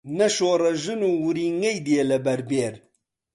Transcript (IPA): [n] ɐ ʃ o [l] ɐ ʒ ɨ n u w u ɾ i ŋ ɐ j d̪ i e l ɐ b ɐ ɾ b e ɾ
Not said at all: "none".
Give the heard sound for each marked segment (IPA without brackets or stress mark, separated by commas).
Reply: n, ɾ